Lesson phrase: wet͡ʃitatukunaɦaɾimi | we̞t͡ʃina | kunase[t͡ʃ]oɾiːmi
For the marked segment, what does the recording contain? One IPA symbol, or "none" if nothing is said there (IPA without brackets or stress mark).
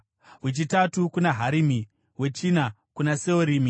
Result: none